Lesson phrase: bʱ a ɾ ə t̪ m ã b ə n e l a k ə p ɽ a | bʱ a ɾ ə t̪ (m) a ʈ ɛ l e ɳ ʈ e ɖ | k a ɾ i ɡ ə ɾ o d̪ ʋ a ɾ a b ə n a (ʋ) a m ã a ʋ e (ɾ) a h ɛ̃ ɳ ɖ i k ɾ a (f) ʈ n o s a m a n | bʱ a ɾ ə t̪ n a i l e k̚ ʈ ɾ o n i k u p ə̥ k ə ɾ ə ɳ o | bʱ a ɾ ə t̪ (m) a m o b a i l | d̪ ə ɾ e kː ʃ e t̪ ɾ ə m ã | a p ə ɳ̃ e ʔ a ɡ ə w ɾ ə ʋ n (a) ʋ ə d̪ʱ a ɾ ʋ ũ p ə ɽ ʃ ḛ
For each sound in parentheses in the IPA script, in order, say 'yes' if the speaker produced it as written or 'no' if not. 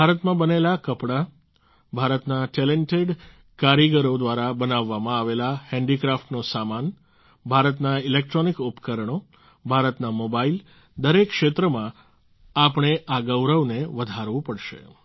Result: no, no, no, yes, no, no

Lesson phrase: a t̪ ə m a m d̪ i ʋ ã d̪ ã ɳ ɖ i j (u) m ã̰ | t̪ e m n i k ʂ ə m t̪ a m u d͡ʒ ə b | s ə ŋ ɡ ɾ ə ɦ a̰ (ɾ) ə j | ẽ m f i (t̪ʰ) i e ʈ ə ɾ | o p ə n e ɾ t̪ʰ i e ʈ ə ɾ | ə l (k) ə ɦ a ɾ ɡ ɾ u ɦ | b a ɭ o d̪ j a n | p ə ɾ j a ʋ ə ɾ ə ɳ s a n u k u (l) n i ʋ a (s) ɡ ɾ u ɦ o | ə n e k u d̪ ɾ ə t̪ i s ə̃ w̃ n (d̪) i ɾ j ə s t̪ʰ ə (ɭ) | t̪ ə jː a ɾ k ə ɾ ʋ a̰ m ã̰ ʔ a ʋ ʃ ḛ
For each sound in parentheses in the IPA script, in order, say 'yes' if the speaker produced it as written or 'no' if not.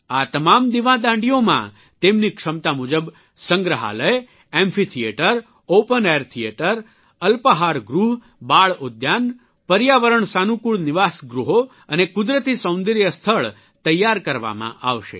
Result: no, no, yes, no, no, yes, yes, yes

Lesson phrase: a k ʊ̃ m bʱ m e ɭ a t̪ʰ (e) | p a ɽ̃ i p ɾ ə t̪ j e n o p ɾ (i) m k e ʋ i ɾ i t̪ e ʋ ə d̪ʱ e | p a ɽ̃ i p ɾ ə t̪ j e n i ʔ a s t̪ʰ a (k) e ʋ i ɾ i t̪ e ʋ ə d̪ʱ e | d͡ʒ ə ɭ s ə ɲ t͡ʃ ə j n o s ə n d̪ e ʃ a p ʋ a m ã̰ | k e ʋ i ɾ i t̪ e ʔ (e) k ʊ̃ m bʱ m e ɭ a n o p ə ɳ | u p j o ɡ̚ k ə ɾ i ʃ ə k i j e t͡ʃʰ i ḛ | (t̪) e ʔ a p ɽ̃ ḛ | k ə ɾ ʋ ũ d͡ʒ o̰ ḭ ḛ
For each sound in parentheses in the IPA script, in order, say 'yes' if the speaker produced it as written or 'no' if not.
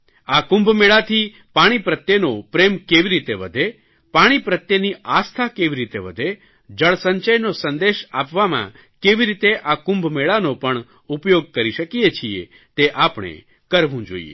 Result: no, no, yes, no, yes

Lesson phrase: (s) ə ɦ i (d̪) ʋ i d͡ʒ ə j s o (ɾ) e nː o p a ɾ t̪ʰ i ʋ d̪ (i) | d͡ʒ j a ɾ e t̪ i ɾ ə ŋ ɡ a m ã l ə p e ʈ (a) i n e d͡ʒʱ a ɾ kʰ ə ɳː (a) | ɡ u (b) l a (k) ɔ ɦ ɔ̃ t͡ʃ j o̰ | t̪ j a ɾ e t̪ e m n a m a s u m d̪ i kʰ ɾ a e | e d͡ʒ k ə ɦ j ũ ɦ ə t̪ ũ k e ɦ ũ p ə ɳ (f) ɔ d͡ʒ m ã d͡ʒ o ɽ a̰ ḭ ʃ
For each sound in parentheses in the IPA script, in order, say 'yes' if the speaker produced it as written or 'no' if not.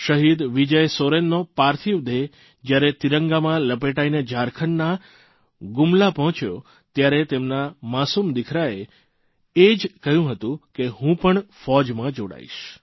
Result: no, yes, yes, no, yes, yes, no, no, yes

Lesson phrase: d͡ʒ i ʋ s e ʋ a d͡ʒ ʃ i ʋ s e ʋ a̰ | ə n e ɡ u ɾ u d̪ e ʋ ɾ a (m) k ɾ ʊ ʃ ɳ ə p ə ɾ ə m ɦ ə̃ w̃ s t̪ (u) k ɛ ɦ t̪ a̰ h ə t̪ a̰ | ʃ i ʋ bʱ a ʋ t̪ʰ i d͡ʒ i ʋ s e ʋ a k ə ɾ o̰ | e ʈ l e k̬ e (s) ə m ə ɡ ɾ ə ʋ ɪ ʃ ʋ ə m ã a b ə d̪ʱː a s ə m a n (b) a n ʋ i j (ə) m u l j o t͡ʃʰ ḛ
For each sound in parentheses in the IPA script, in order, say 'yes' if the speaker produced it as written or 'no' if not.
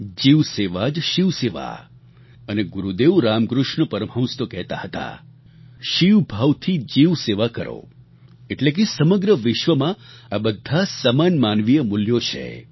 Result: yes, no, yes, no, yes

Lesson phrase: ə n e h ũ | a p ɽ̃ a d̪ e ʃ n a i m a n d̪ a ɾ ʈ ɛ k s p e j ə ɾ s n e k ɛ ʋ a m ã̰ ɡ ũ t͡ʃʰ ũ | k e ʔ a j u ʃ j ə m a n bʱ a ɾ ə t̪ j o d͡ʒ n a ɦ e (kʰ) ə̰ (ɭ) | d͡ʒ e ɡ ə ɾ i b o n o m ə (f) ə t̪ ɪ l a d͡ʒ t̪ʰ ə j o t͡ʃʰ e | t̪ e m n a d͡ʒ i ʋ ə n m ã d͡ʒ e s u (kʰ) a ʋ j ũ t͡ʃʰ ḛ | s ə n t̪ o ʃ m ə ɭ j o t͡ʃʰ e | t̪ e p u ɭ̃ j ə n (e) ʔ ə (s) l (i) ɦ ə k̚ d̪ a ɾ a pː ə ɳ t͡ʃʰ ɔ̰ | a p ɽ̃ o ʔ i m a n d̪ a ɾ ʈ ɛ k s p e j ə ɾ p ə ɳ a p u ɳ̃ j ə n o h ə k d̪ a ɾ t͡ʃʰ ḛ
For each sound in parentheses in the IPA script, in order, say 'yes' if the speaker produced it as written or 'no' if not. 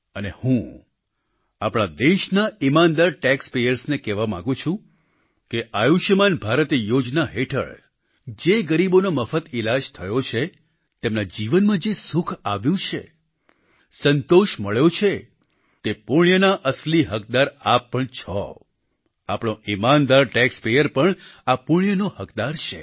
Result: no, yes, yes, yes, no, yes, yes

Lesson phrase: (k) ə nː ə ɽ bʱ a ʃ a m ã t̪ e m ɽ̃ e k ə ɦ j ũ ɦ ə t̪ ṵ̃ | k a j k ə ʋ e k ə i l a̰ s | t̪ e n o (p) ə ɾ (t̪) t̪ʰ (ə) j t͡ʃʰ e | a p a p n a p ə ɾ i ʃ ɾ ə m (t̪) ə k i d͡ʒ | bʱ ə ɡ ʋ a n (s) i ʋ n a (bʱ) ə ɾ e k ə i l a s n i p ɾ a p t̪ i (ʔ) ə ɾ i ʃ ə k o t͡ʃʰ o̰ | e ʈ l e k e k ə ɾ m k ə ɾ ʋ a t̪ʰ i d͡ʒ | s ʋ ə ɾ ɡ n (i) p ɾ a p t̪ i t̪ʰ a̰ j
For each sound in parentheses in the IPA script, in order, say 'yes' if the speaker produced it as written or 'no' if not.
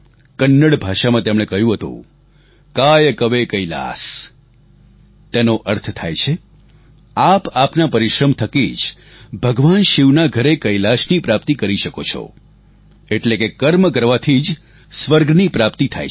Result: yes, no, no, no, no, no, no, no, yes

